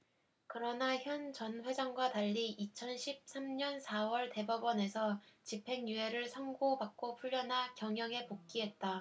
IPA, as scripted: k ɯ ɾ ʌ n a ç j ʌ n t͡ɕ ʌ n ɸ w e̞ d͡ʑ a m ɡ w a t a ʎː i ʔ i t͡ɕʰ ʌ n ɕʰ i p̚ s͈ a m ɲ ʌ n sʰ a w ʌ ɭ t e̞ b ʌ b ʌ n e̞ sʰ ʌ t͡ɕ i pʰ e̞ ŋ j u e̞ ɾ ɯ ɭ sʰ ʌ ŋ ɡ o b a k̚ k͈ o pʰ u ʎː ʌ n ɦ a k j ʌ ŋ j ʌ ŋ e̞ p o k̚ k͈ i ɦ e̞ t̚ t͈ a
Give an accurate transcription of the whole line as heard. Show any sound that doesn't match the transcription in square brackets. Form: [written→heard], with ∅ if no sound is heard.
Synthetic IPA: k ɯ ɾ ʌ n a ç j ʌ n t͡ɕ ʌ n ɸ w e̞ d͡ʑ a [m→ŋ] ɡ w a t a ʎː i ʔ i t͡ɕʰ ʌ n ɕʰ i p̚ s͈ a m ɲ ʌ n sʰ a w ʌ ɭ t e̞ b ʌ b ʌ n e̞ sʰ ʌ t͡ɕ i pʰ e̞ ŋ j u e̞ ɾ ɯ ɭ sʰ ʌ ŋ ɡ o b a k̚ k͈ o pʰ u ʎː ʌ n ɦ a k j ʌ ŋ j ʌ ŋ e̞ p o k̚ k͈ i ɦ e̞ t̚ t͈ a